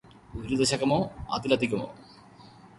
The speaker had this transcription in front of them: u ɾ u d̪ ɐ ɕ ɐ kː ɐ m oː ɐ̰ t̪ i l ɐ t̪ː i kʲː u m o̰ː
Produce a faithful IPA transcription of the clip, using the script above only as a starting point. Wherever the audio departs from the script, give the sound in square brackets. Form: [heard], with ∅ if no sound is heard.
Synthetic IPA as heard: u ɾ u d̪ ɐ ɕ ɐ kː ɐ m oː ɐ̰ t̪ i l ɐ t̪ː i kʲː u m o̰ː